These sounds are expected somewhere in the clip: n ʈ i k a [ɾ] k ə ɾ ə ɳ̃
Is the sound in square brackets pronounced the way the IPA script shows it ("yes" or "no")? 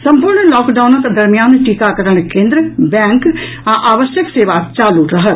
no